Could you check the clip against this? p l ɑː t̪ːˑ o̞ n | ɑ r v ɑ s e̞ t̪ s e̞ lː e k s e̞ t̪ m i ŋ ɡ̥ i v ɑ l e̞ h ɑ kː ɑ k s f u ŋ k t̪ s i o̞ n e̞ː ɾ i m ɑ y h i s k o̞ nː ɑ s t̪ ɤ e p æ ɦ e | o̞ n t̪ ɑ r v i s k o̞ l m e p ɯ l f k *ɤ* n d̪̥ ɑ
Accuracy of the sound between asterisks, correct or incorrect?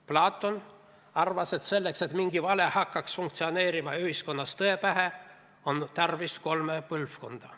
incorrect